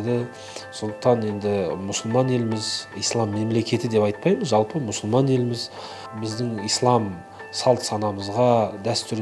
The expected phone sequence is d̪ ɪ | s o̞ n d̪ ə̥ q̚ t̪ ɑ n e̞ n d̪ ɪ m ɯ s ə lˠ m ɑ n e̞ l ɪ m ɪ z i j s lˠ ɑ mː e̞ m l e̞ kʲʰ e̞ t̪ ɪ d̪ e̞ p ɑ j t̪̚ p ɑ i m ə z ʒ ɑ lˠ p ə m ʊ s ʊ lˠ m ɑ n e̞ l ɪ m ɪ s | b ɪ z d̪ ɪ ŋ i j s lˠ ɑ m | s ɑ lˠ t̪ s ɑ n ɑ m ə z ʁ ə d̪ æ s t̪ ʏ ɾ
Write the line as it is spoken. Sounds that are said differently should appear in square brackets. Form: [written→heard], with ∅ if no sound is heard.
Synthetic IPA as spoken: d̪ ɪ | s o̞ n d̪ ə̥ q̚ t̪ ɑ n e̞ n d̪ ɪ m [ɯ→ʊ] s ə lˠ m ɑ n e̞ l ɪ m ɪ z i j s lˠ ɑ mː e̞ m l e̞ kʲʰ e̞ t̪ ɪ d̪ e̞ p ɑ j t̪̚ p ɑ [i→j] m ə z ʒ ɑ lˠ p ə m ʊ s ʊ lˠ m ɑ n e̞ l ɪ m ɪ [s→z] | b ɪ z d̪ ɪ ŋ i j s lˠ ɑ m | s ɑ lˠ t̪ s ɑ n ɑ m ə z ʁ [ə→ɑ] d̪ æ s t̪ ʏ ɾ